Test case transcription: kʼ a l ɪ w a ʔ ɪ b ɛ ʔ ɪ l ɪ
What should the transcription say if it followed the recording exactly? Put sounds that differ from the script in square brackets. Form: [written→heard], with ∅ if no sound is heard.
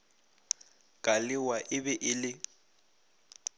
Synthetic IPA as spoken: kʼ a l ɪ w a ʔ ɪ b ɛ ʔ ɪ l ɪ